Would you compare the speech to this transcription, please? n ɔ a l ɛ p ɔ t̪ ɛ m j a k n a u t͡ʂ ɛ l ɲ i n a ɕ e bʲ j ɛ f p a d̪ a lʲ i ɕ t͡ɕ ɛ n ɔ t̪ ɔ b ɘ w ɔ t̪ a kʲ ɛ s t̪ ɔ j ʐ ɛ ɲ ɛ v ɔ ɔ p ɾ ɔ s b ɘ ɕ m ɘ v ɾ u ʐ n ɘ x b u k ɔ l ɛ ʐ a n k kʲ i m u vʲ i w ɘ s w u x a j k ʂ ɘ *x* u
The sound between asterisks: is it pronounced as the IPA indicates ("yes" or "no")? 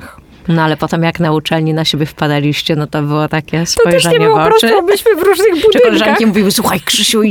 no